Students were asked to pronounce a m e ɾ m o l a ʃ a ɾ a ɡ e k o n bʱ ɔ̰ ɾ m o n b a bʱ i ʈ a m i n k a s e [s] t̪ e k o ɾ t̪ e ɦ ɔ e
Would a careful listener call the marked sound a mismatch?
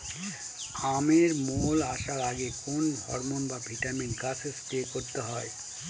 no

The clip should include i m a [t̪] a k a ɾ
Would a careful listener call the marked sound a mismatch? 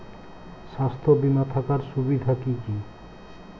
yes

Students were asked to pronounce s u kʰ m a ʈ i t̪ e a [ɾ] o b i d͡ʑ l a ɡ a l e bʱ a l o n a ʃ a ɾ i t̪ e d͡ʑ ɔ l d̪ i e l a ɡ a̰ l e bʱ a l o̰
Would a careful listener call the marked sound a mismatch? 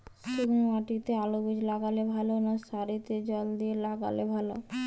yes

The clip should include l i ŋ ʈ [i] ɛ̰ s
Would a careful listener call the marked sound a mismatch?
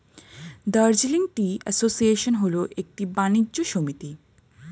no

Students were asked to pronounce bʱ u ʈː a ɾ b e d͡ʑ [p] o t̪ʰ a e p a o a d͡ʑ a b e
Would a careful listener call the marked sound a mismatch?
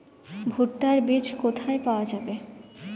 yes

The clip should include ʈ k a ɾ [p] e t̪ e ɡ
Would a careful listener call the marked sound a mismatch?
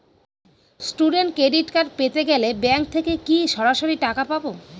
no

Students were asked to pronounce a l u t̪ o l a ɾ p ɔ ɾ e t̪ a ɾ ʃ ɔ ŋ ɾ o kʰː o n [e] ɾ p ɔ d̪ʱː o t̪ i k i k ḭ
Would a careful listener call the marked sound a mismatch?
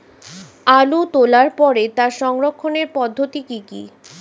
no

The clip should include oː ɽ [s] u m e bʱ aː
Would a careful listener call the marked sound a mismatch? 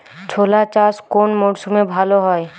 no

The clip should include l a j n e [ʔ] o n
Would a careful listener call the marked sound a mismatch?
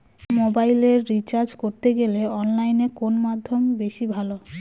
yes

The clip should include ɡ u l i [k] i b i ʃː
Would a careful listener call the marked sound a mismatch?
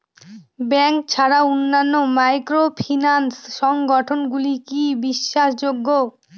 no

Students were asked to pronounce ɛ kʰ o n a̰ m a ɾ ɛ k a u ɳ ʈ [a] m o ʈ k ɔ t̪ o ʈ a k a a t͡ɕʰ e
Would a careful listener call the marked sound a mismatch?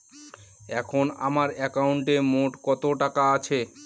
yes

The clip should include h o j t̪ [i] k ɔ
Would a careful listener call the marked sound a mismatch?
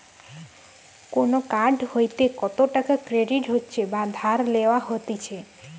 yes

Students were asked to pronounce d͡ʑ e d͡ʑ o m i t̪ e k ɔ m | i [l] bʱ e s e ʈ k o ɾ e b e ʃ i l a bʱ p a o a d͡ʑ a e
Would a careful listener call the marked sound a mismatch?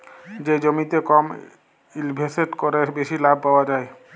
no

